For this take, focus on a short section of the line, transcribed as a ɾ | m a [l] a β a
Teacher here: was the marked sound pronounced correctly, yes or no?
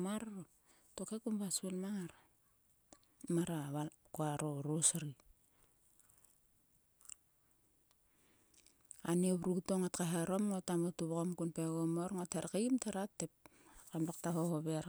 no